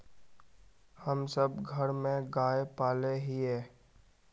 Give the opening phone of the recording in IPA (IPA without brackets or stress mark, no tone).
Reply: h